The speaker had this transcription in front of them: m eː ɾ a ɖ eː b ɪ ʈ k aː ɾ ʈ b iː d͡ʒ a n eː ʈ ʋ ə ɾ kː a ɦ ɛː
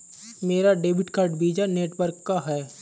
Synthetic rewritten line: m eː ɾ a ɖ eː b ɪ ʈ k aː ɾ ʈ b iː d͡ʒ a n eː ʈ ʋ ə ɾ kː a ɦ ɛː